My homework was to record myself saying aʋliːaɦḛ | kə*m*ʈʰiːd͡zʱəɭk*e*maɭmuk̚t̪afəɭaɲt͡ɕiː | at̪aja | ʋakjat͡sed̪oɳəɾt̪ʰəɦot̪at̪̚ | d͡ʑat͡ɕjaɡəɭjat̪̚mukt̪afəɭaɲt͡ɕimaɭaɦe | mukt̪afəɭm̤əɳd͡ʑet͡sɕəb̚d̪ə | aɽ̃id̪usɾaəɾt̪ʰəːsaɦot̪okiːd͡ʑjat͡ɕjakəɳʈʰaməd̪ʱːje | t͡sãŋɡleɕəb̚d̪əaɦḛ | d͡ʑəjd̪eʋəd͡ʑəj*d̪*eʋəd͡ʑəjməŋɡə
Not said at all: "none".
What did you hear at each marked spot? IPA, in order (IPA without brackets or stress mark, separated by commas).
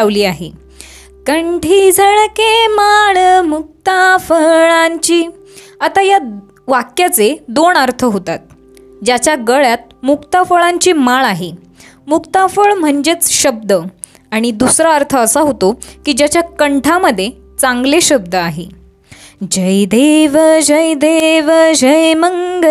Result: ɳ, e, d̪